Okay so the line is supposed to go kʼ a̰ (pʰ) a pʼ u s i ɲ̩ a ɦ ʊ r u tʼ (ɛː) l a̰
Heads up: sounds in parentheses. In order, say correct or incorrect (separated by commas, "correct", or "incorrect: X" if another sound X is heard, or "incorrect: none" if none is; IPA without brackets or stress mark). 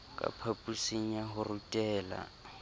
correct, correct